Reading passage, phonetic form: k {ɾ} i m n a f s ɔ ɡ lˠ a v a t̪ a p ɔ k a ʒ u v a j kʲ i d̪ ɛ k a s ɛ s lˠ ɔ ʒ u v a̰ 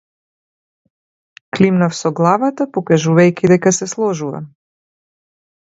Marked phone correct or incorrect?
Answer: incorrect